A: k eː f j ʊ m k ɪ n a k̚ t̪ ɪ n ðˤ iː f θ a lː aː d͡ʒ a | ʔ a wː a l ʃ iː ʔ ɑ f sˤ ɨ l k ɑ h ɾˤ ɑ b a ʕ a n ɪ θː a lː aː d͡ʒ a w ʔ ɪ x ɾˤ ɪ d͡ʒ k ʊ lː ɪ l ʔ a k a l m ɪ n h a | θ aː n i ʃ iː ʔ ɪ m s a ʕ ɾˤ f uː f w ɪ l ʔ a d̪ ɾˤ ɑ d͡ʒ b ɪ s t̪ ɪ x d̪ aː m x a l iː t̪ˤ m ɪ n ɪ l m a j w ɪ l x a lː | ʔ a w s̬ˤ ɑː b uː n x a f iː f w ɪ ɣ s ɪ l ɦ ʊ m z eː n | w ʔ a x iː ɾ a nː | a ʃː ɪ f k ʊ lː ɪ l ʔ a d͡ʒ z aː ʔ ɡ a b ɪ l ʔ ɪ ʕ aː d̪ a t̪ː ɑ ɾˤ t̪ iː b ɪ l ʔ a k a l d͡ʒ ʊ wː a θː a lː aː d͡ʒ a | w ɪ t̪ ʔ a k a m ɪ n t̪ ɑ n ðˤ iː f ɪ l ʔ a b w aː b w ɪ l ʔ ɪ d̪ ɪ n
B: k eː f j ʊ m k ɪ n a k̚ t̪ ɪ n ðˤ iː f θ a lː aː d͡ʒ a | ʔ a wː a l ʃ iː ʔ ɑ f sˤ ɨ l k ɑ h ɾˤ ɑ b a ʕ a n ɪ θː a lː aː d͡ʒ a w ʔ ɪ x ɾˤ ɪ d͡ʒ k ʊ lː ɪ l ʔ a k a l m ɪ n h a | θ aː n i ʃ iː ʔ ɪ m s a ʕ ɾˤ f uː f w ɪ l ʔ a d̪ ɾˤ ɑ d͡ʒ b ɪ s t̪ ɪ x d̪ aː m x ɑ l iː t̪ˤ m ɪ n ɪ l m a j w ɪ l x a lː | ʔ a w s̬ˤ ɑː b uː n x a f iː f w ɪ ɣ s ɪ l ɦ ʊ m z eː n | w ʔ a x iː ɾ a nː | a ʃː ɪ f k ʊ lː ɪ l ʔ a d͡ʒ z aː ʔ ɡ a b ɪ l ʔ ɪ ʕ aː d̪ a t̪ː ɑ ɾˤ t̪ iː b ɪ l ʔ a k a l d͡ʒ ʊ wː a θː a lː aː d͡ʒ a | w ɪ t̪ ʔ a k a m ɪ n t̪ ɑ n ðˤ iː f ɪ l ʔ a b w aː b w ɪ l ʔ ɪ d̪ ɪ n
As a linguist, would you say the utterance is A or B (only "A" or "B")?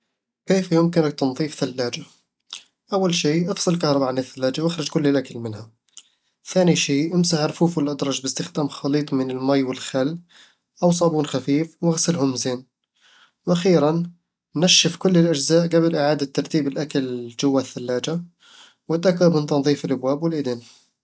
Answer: B